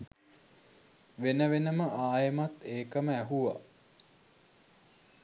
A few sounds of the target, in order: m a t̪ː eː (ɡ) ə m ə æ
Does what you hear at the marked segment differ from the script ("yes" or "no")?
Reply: yes